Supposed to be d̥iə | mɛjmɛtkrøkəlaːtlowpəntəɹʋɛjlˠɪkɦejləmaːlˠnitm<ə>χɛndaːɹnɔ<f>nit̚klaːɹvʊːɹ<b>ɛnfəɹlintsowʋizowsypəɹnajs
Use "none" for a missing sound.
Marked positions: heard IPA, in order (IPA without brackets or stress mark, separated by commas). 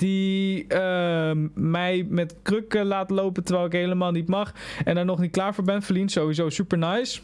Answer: ɑ, χ, b